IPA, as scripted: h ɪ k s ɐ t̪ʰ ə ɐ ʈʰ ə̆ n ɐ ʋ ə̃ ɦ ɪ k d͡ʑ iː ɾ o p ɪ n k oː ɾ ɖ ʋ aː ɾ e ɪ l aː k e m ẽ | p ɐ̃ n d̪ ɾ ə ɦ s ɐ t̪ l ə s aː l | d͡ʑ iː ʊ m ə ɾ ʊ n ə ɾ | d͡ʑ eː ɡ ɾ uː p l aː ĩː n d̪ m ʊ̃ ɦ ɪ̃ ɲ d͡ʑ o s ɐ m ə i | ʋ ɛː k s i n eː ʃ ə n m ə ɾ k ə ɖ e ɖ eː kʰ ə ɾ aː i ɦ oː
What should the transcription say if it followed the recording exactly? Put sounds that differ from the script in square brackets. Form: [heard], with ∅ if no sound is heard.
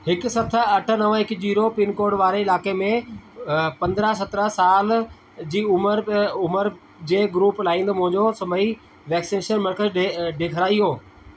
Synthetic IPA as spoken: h ɪ k s ɐ t̪ʰ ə ɐ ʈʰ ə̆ n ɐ ʋ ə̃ ɦ ɪ k d͡ʑ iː ɾ o p ɪ n k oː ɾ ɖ ʋ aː ɾ e ɪ l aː k e m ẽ | p ɐ̃ n d̪ ɾ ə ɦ s ɐ t̪ [ɾ] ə s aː l | d͡ʑ iː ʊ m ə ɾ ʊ [m] ə ɾ | d͡ʑ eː ɡ ɾ uː p l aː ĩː n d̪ m ʊ̃ ɦ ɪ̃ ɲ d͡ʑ o s ɐ m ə i | ʋ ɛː k s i n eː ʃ ə n m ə ɾ k ə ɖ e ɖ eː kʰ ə ɾ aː i ɦ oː